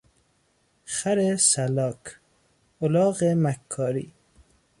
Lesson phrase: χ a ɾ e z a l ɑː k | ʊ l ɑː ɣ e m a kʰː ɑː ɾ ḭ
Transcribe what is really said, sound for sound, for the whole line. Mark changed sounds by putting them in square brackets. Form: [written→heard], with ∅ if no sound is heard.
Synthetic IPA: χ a ɾ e [z→s] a l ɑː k | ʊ l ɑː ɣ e m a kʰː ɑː ɾ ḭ